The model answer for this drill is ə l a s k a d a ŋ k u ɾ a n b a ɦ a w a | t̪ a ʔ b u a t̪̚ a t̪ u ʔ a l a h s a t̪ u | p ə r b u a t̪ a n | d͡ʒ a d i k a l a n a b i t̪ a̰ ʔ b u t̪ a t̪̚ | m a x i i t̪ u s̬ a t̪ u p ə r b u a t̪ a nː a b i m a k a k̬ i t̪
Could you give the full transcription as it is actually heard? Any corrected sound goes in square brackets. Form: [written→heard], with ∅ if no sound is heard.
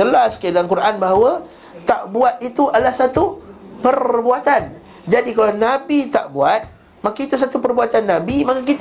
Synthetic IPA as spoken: ə l a s k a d a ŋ k u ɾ a n b a ɦ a w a | t̪ a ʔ b u a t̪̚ [a→i] t̪ u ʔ a l a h s a t̪ u | p ə r b u a t̪ a n | d͡ʒ a d i k a l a n a b i t̪ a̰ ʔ b u [t̪→∅] a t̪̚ | m a [x→k] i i t̪ u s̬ a t̪ u p ə r b u a t̪ a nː a b i m a k a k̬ i t̪